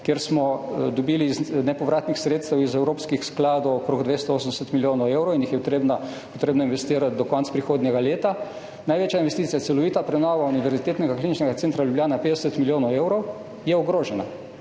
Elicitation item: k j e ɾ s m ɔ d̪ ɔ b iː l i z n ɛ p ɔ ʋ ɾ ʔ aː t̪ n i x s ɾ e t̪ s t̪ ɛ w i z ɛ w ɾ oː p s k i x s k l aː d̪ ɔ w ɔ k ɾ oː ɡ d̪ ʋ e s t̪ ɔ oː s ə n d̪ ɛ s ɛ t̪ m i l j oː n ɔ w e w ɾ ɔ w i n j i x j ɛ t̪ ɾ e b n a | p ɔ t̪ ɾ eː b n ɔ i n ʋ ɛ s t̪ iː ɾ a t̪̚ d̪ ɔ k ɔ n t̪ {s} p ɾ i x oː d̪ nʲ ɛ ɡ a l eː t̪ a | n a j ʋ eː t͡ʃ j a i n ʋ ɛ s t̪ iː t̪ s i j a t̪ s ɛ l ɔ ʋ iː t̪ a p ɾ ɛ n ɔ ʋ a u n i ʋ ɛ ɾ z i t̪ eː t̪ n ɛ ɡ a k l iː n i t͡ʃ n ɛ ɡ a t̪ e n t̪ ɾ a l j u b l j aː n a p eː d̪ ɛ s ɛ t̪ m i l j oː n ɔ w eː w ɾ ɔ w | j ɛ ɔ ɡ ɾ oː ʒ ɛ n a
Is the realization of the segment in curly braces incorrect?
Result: no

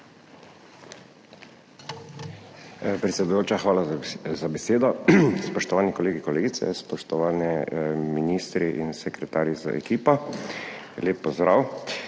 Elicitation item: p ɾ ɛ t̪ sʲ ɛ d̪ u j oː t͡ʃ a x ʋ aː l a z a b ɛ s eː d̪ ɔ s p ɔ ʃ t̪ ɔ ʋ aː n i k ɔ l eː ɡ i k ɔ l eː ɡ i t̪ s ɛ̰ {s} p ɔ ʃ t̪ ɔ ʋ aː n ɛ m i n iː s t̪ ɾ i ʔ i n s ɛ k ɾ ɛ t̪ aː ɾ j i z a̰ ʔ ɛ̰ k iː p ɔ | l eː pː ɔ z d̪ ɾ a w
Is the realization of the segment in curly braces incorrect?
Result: no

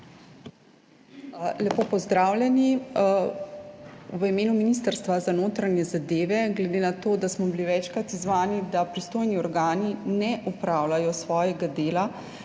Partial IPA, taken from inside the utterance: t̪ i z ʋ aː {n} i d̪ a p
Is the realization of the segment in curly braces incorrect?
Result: no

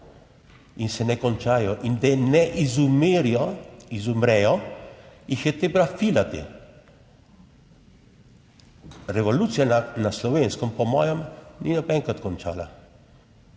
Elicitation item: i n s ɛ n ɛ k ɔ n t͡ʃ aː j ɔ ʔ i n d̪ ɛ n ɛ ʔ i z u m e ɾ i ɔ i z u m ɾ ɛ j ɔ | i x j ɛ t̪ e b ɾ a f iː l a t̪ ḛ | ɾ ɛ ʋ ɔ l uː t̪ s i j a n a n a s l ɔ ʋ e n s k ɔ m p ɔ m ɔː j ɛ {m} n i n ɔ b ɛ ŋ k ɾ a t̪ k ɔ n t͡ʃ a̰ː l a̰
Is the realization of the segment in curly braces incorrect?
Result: no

